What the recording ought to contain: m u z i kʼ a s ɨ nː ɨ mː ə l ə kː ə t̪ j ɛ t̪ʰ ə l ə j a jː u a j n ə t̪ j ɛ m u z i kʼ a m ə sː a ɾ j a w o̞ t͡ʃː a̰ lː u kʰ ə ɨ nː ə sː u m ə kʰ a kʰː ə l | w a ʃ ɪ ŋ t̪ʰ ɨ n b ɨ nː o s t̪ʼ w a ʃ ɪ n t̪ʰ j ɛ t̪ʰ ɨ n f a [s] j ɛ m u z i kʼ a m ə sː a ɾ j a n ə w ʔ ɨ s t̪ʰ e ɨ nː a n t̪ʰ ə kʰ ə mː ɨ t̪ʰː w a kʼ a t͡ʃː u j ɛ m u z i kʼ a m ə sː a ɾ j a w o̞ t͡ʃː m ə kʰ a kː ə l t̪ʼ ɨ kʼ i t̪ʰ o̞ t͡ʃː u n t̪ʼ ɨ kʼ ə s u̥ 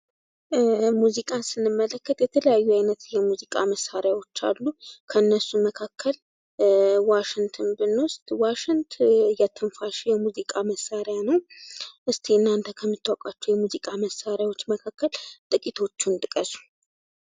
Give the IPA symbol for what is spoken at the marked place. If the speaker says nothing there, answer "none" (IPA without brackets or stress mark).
ʃ